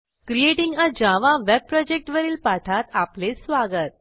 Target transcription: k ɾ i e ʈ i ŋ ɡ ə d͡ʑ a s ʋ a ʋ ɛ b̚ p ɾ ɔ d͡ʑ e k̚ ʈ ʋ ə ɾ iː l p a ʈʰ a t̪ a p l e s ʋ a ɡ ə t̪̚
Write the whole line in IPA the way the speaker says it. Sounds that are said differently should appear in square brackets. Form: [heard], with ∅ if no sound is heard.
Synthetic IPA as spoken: k ɾ i e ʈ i ŋ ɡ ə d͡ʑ a [∅] ʋ a ʋ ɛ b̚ p ɾ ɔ d͡ʑ e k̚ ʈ ʋ ə ɾ iː l p a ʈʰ a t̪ a p l e s ʋ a ɡ ə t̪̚